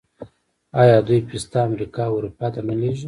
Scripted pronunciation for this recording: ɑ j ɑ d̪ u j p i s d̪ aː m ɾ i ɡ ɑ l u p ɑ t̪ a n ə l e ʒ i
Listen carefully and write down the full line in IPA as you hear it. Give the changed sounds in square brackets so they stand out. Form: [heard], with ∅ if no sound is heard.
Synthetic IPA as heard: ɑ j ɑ d̪ u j p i s [t̪] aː m ɾ i [k] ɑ [ɾ] u p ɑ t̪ a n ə l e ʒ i

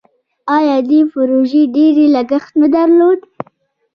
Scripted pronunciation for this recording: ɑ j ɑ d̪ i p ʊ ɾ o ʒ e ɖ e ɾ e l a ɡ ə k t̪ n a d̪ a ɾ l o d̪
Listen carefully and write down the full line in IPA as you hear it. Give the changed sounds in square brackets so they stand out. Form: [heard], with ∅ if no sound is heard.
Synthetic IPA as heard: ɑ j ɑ d̪ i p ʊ ɾ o ʒ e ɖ e ɾ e l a ɡ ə [x] t̪ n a d̪ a ɾ l o d̪

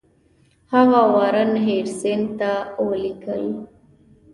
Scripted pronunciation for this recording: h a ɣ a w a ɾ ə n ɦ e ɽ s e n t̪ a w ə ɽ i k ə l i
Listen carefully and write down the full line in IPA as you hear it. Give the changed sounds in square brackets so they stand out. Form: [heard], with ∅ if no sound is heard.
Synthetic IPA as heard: h a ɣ a w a ɾ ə n ɦ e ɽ s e n t̪ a w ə [l] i k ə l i

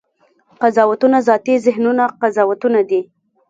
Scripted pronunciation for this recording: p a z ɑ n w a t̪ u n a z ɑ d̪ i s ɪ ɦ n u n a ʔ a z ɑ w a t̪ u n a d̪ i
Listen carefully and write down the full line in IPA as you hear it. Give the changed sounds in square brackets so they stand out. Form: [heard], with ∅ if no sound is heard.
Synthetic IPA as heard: [q] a z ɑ [∅] w a t̪ u n a z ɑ [t̪] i [z] ɪ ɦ n u n a [q] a z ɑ w a t̪ u n a d̪ i

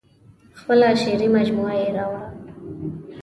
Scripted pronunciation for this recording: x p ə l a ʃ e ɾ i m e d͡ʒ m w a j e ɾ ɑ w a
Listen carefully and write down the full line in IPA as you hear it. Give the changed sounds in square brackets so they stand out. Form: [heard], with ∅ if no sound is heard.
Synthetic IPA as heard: x p ə l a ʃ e ɾ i m [a] d͡ʒ m [u] a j e ɾ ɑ w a

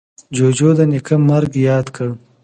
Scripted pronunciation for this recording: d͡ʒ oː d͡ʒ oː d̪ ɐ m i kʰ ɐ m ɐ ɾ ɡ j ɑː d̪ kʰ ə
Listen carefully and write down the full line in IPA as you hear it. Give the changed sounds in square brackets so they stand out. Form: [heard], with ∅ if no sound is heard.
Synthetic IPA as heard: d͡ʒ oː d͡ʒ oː d̪ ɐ [n] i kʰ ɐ m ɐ ɾ ɡ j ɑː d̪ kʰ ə

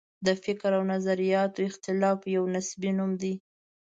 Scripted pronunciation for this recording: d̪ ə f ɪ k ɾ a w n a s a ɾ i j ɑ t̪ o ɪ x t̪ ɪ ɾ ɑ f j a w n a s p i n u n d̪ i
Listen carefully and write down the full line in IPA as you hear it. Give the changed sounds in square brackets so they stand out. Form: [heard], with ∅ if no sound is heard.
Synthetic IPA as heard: d̪ ə f ɪ k ɾ a w n a [z] a ɾ i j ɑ t̪ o ɪ x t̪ ɪ [l] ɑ f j a w n a s [b] i n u [m] d̪ i

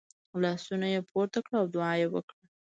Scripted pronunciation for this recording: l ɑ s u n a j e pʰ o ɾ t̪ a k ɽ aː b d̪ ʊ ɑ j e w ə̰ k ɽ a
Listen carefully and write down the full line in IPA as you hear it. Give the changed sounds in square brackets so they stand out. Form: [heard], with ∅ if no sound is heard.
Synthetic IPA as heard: l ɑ s u n a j e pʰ o ɾ t̪ a k ɽ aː [w] d̪ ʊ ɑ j e w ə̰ k ɽ a

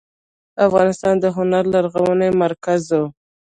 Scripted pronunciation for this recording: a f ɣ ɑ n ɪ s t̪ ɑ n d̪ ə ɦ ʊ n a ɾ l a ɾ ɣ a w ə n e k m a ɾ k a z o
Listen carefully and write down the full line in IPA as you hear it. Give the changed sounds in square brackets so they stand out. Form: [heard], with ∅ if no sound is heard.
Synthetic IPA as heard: a f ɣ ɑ n ɪ s t̪ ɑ n d̪ ə ɦ ʊ n a ɾ l a ɾ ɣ a w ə n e [∅] m a ɾ k a z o

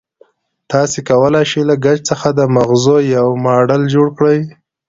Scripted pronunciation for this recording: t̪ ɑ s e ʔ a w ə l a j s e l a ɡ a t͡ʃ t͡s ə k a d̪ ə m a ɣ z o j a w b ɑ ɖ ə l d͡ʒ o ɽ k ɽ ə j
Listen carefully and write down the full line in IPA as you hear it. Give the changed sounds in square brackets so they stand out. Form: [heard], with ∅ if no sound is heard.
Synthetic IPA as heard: t̪ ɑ s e [k] a w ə l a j [ʃ] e l a ɡ a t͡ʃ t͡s ə [x] a d̪ ə m a ɣ z o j a w [m] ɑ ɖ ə l d͡ʒ o ɽ k ɽ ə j

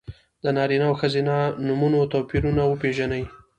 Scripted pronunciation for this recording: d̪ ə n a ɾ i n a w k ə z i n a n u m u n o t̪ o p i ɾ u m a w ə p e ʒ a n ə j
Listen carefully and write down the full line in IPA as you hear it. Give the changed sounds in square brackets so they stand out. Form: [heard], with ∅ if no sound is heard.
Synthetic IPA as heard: d̪ ə n [ɑ] ɾ i n a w [x] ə z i n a n u m u n o t̪ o p i ɾ u [n] a w ə p e ʒ a n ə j

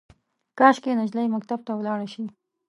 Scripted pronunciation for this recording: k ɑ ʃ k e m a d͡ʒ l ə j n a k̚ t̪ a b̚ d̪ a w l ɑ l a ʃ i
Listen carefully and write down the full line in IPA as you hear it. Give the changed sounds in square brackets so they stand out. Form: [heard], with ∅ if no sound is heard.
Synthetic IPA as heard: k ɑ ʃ k e [n] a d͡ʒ l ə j [m] a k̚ t̪ a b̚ [t̪] a w l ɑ [ɽ] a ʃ i

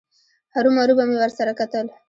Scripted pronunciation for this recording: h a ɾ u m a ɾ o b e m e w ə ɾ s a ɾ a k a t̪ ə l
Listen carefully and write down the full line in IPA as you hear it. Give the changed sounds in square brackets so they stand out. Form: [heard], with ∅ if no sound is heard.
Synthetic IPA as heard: h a ɾ u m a ɾ [u] b [a] m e w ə ɾ s a ɾ a k a t̪ ə l

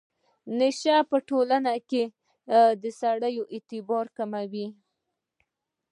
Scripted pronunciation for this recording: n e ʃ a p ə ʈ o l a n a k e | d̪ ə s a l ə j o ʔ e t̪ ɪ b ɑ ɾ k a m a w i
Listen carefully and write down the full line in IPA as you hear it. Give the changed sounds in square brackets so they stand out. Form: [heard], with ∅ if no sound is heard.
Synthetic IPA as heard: n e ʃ a p ə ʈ o l a n a k e | d̪ ə s a [ɽ] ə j o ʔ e t̪ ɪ b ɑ ɾ k a m a w i

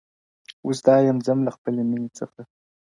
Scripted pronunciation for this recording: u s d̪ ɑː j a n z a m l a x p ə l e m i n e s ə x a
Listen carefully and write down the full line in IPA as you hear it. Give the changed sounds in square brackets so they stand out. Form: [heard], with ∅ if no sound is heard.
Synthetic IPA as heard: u s d̪ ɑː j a [m] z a m l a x p ə l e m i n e [t͡s] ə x a

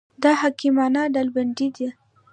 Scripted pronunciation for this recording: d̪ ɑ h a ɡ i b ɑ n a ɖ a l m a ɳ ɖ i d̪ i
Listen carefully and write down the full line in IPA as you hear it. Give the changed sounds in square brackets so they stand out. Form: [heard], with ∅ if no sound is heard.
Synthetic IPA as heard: d̪ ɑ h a [k] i [m] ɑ n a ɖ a l [b] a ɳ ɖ i d̪ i

